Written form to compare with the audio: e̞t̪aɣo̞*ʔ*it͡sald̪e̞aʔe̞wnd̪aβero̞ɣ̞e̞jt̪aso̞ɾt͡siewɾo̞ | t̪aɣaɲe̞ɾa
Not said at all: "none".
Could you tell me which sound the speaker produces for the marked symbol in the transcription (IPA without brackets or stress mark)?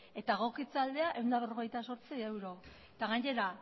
k